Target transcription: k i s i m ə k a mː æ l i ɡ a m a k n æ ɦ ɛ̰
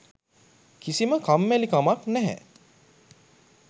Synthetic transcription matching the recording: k i s i m ə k a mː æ l i k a m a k n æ ɦ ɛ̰